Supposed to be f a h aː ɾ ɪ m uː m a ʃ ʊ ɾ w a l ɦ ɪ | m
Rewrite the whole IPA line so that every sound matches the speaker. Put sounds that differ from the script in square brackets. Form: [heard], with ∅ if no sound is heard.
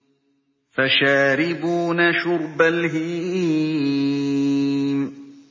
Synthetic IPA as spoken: f a [ʃ] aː ɾ ɪ [b] uː [n] a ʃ ʊ ɾ [b] a l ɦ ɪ | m